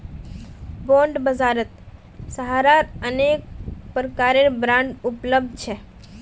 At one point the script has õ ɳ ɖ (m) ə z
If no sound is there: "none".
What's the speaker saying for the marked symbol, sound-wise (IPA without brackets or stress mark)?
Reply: b